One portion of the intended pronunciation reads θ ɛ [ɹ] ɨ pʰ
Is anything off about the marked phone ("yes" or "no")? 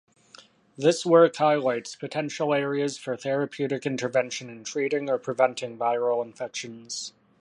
no